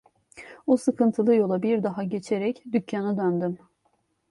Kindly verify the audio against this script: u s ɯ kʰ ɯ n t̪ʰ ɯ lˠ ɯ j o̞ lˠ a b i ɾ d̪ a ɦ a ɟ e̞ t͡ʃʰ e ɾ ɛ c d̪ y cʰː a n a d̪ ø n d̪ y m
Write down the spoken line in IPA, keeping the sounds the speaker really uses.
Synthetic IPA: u s ɯ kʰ ɯ n t̪ʰ ɯ lˠ ɯ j o̞ lˠ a b i ɾ d̪ a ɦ a ɟ e̞ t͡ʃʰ e ɾ ɛ c d̪ y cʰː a n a d̪ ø n d̪ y m